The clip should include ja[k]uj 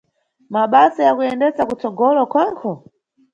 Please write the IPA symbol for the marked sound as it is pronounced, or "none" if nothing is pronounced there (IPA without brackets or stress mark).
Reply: k